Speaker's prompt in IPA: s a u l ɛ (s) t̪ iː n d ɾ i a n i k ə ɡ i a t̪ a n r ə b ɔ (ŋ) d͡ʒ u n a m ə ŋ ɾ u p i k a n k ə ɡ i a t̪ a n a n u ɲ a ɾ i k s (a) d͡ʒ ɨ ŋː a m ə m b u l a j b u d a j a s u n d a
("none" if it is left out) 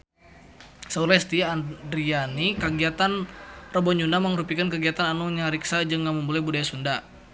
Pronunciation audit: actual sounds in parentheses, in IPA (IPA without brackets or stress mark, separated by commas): s, ɲ, a